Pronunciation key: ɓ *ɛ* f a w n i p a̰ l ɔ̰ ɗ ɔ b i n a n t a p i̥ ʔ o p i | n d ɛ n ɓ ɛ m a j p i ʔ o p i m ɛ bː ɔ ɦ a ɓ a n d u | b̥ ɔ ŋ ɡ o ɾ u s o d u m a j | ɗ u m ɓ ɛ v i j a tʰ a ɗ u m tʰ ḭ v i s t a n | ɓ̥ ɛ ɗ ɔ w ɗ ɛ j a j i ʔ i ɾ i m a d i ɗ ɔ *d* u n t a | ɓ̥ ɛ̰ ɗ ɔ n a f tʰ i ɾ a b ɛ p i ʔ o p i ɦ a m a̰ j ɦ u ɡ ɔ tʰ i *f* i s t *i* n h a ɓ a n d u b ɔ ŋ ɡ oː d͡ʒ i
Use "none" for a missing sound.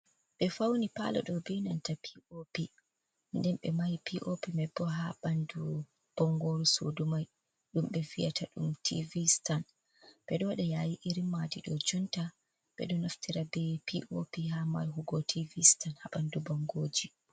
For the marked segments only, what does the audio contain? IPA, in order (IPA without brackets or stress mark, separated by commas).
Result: ɛ, d͡ʒ, v, a